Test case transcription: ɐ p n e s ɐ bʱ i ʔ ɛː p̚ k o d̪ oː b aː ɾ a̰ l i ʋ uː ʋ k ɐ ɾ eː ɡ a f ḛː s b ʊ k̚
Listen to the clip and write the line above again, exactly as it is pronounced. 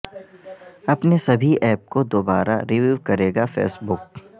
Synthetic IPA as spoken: ɐ p n e s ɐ bʱ i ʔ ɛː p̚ k o d̪ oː b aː ɾ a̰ ɾ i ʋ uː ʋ k ɐ ɾ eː ɡ a f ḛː s b ʊ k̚